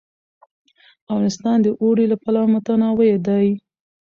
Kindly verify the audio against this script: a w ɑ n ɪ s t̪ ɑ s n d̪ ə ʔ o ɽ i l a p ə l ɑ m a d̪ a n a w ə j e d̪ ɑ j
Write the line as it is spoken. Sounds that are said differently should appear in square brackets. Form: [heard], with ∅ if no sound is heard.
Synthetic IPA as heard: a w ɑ n ɪ s t̪ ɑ [∅] n d̪ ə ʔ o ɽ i l a p [a] l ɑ m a [t̪] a n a w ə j e d̪ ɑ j